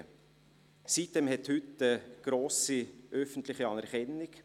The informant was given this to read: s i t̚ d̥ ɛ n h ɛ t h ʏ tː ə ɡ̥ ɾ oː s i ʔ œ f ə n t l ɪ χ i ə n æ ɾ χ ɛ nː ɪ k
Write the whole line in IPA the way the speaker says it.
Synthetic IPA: s i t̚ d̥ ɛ m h ɛ t h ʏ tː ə ɡ̥ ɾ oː s i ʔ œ f ə n t l ɪ χ i ɑ n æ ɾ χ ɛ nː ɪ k